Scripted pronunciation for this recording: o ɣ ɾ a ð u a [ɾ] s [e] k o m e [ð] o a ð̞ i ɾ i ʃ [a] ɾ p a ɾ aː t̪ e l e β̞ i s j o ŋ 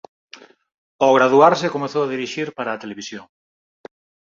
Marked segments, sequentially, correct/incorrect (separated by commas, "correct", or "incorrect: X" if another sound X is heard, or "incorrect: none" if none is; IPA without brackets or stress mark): correct, correct, incorrect: θ, incorrect: i